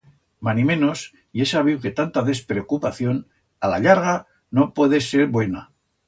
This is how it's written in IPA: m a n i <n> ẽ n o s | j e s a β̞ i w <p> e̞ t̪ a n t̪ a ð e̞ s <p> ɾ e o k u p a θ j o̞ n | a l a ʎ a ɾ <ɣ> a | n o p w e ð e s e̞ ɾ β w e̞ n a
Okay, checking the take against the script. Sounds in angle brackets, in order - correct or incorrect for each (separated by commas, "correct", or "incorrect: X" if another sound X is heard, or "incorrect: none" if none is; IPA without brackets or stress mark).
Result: incorrect: m, incorrect: k, correct, correct